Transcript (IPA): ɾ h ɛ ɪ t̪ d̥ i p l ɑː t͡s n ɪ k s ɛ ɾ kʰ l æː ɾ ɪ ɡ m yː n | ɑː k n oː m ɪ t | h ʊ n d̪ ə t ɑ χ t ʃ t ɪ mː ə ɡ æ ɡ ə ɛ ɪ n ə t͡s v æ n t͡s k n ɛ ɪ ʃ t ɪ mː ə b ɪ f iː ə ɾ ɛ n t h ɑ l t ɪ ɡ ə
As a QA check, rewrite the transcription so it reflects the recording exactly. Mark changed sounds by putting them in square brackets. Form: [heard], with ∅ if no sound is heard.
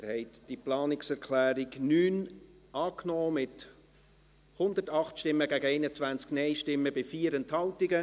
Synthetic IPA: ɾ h ɛ ɪ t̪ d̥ i p l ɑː [∅] n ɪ k s ɛ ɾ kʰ l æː ɾ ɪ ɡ [n] yː n | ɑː k n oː m ɪ t | h ʊ n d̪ ə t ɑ χ t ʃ t ɪ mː ə ɡ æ ɡ ə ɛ ɪ n ə t͡s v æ n t͡s k n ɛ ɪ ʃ t ɪ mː ə b ɪ f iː ə ɾ ɛ n t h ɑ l t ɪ ɡ ə

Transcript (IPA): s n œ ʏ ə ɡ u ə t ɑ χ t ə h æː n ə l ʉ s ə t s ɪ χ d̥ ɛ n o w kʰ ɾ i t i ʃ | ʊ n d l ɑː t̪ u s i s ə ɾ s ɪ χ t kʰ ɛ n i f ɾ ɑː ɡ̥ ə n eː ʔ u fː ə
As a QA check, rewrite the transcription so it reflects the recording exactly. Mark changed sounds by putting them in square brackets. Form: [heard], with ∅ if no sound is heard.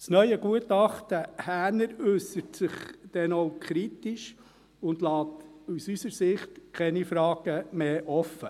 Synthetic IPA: s n œ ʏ ə ɡ u ə t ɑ χ t ə h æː n ə [ɾ] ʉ s ə t s ɪ χ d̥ ɛ n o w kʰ ɾ i t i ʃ | ʊ n d l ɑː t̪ u s [y] s ə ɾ s ɪ χ t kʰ ɛ n i f ɾ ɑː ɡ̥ ə [m] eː ʔ [ɔ] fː ə

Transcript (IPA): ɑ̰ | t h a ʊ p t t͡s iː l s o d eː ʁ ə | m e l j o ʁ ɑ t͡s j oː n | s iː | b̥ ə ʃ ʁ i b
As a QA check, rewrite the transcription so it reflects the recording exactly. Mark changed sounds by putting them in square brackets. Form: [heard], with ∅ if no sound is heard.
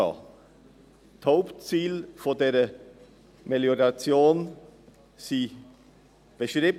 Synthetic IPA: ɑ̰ | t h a ʊ p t t͡s iː l [f] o d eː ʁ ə | m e l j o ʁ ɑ t͡s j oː n | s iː | b̥ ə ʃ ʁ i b

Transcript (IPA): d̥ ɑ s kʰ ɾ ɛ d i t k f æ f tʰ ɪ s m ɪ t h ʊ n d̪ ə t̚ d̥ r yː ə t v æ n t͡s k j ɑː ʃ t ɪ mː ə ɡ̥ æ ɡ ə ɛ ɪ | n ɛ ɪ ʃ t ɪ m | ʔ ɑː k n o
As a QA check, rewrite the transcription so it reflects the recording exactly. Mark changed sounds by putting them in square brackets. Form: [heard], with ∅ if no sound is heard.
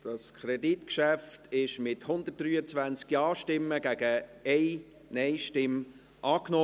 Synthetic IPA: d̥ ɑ s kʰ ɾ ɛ d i t k [ʃ] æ f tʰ ɪ [ʃ] m ɪ t h ʊ n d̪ ə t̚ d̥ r yː ə [t͡s] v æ n t͡s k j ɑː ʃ t ɪ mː ə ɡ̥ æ ɡ ə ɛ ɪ | n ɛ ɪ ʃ t ɪ m | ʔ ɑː k n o

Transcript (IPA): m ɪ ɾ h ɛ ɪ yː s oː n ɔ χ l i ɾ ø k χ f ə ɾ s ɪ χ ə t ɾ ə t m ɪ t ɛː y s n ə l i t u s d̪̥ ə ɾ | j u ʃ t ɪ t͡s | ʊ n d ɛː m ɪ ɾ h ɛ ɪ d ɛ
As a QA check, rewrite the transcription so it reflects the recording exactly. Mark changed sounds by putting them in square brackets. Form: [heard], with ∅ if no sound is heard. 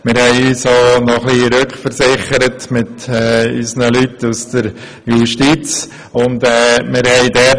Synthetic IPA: m ɪ ɾ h ɛ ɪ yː s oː n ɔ χ l i ɾ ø k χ f ə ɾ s ɪ χ ə [∅] ɾ ə t m ɪ t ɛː y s n ə l [y] t u s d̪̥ ə ɾ | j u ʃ t [i] t͡s | ʊ n d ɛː m ɪ ɾ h ɛ ɪ d ɛ

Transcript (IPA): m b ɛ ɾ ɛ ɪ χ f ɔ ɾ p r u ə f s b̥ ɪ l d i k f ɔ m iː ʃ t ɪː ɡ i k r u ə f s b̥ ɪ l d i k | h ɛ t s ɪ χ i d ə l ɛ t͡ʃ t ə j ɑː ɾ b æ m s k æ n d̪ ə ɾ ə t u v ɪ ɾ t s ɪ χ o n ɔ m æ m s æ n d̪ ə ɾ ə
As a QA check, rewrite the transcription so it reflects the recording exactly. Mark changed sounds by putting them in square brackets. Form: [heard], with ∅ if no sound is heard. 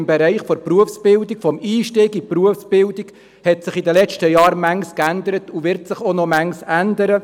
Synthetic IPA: m b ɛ ɾ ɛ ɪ χ f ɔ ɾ p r u ə f s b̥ ɪ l d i k f ɔ m iː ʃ t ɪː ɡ i [p] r u ə f s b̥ ɪ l d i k | h ɛ t s ɪ χ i d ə l ɛ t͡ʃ t ə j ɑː ɾ [m] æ [ŋ] s k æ n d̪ ə ɾ ə t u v ɪ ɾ t s ɪ χ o n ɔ m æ [ŋ] s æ n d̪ ə ɾ ə

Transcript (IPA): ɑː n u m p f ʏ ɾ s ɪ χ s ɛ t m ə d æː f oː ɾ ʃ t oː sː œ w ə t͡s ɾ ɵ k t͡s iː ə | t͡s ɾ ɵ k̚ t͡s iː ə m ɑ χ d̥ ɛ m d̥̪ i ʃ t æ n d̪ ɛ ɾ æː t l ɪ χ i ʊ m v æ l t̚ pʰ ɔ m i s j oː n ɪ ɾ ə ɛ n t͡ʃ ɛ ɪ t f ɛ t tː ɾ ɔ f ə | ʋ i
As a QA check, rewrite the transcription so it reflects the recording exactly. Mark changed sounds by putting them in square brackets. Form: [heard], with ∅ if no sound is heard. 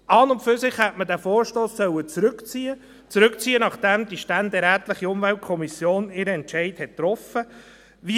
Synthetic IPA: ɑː n [ʊ] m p f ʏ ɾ s ɪ χ [h] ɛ t m ə d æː f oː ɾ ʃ t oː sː œ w ə t͡s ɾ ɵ k t͡s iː ə | t͡s ɾ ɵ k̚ t͡s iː ə [n] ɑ χ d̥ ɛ m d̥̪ i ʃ t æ n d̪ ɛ ɾ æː t l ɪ χ i ʊ m v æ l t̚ [kʰ] ɔ m i s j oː n ɪ ɾ ə ɛ n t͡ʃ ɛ ɪ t [h] ɛ t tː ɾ ɔ f ə | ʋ i

